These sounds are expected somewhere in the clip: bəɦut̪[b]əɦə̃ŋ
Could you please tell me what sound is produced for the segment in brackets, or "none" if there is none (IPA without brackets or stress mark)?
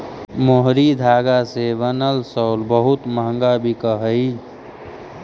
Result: m